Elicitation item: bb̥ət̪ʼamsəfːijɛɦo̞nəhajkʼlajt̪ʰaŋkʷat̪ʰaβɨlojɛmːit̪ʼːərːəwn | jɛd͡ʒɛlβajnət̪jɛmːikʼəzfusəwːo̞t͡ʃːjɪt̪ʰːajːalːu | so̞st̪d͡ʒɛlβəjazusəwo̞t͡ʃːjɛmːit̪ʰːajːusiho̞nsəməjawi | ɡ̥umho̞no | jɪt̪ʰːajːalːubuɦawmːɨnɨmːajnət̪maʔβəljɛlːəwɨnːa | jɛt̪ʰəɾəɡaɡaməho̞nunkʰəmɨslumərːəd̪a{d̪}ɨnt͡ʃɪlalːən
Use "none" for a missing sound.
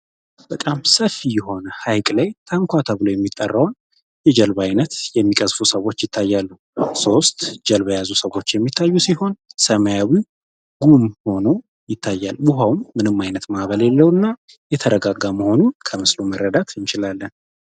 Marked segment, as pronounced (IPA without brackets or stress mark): t̪